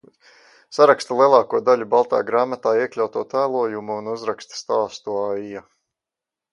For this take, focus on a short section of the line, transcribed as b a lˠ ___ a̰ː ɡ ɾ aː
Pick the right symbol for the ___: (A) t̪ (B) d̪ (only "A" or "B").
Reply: A